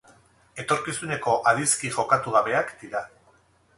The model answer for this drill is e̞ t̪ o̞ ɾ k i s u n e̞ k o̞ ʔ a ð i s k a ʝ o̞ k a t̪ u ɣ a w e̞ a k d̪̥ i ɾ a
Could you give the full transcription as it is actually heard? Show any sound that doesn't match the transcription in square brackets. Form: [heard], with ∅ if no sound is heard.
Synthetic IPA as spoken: e̞ t̪ o̞ ɾ k i s u n e̞ k o̞ ʔ a ð i s k [i] ʝ o̞ k a t̪ u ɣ a [β] e̞ a k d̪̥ i ɾ a